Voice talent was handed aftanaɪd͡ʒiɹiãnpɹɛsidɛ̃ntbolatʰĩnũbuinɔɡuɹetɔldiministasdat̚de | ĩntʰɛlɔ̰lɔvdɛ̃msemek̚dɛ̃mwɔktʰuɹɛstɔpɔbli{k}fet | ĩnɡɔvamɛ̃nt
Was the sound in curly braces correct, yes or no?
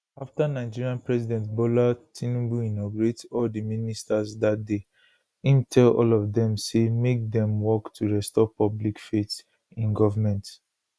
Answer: yes